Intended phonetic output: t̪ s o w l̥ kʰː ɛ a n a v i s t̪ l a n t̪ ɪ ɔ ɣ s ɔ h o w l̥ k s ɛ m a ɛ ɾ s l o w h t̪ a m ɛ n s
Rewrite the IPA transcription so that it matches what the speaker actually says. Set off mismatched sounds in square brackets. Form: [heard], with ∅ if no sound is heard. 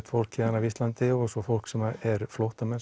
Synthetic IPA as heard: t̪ [f] o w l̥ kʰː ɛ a n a v i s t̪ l a n t̪ ɪ ɔ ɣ s ɔ [f] o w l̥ k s ɛ m a ɛ ɾ [f] l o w h t̪ a m ɛ n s